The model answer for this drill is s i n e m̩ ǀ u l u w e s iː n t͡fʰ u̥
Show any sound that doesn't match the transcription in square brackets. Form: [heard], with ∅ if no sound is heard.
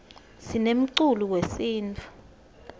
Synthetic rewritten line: s i n e m̩ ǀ u l u w e s iː n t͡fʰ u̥